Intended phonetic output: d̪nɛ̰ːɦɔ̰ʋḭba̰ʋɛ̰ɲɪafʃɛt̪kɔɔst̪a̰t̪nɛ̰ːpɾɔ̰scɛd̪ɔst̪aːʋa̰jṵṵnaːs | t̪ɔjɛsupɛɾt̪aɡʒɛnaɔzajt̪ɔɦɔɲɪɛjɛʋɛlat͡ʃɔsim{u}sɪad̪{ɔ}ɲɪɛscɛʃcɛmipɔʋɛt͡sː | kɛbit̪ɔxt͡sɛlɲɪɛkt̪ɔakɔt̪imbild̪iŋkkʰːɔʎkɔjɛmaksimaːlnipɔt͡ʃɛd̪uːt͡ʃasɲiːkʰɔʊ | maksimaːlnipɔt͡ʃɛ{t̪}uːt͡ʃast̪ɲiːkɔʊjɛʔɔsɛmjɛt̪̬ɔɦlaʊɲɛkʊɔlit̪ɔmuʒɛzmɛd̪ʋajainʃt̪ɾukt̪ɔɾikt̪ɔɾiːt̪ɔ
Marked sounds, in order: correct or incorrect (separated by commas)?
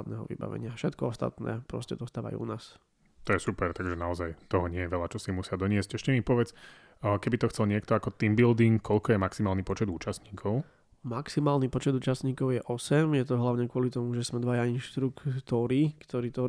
correct, correct, incorrect